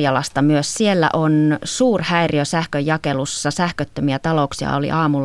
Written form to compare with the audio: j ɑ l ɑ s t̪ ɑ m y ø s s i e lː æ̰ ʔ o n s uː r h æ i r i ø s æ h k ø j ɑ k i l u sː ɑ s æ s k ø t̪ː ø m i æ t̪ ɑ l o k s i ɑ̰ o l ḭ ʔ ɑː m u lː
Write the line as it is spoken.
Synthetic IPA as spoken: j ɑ l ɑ s t̪ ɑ m y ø s s i e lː æ̰ ʔ o n s uː r h æ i r i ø s æ h k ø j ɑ k e l u sː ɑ s æ h k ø t̪ː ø m i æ t̪ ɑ l o k s i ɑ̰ o l ḭ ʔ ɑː m u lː